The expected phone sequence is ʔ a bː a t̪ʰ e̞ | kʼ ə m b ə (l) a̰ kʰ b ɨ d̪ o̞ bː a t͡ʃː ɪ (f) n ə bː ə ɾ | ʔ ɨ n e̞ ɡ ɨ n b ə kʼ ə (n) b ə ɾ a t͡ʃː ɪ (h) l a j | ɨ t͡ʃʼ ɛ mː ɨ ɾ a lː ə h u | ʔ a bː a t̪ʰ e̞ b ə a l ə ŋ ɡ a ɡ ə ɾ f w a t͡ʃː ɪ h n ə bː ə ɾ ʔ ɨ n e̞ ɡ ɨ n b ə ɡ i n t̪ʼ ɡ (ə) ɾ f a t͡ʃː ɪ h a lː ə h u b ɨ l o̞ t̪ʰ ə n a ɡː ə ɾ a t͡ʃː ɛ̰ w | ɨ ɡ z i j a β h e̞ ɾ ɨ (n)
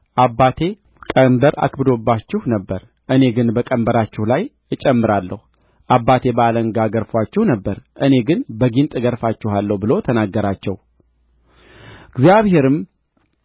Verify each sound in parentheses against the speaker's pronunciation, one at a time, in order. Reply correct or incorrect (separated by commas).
incorrect, incorrect, incorrect, correct, correct, incorrect